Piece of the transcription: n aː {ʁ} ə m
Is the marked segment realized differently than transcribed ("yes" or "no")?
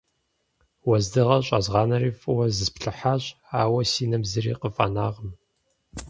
no